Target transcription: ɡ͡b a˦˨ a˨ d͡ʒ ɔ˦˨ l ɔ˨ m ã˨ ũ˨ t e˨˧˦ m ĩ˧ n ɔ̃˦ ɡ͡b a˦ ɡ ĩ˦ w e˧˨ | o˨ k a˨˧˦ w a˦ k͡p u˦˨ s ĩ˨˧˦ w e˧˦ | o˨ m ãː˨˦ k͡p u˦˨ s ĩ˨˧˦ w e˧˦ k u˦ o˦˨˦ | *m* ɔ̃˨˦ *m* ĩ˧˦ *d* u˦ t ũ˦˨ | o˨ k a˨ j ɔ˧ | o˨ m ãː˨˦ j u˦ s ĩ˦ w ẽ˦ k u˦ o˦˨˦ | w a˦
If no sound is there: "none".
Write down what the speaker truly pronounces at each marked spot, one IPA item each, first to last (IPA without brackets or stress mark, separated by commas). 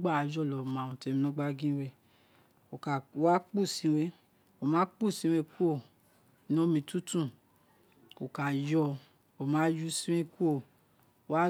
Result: n, m, t